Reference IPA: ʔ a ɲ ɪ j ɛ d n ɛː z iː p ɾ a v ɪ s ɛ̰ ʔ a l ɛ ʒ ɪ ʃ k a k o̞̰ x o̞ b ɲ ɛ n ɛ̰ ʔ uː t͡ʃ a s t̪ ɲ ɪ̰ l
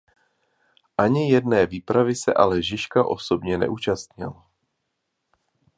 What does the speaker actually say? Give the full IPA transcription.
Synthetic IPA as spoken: ʔ a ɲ ɪ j ɛ d n ɛː v iː p ɾ a v ɪ s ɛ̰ ʔ a l ɛ ʒ ɪ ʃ k a ʔ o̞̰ s o̞ b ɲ ɛ n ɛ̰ ʔ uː t͡ʃ a s t̪ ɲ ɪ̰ l